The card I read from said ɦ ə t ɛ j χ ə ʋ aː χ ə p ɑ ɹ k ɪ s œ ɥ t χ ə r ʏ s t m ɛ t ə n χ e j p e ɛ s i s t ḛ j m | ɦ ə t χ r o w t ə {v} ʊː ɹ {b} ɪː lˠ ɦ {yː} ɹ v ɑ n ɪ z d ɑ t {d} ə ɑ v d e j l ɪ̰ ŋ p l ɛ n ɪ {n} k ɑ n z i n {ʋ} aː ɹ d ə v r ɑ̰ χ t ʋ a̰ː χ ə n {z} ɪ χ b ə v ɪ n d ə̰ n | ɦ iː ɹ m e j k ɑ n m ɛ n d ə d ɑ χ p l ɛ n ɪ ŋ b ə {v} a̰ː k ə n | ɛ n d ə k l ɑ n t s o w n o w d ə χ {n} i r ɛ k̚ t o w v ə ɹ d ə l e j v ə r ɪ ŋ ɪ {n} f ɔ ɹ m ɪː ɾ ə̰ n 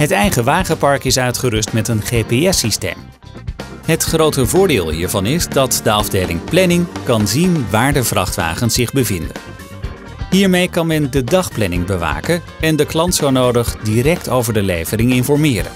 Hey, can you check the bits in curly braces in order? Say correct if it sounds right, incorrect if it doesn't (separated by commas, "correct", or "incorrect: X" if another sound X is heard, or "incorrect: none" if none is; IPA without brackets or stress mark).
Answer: correct, incorrect: d, incorrect: iː, correct, incorrect: ŋ, correct, incorrect: s, incorrect: ʋ, incorrect: d, correct